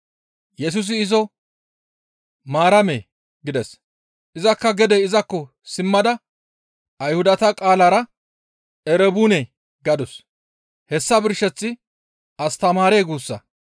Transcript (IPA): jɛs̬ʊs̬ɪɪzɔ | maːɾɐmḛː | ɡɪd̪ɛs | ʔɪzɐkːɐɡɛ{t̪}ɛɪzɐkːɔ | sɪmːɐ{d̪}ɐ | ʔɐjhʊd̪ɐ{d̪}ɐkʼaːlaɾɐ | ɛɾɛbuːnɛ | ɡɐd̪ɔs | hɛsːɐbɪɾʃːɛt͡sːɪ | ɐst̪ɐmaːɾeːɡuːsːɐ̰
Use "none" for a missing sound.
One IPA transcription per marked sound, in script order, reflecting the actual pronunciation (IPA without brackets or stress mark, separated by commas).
d̪, d̪, t̪